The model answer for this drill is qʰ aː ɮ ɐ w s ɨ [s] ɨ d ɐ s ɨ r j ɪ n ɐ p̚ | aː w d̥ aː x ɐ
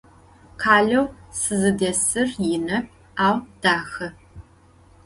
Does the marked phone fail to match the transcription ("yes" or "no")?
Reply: yes